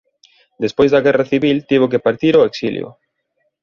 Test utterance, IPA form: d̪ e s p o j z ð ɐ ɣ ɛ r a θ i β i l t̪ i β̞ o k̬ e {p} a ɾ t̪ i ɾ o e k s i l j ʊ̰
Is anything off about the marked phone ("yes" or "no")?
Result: no